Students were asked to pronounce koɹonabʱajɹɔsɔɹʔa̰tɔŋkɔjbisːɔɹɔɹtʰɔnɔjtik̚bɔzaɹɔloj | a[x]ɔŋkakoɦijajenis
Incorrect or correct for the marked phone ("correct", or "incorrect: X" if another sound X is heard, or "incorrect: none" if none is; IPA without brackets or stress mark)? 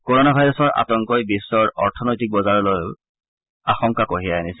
correct